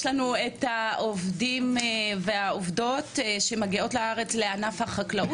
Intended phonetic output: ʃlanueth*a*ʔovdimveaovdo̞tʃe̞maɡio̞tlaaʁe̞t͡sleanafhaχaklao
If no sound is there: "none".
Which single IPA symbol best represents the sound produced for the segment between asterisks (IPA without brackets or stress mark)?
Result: a